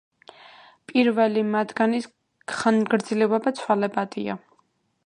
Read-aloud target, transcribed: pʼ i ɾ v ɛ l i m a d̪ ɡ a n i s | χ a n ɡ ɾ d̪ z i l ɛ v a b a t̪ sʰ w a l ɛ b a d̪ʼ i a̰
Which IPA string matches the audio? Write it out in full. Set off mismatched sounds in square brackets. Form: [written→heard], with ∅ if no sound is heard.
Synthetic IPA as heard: pʼ i ɾ v ɛ l i m a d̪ ɡ a n i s | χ a n ɡ ɾ d̪ z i l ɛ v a b a t̪ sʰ w a l ɛ b a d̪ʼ i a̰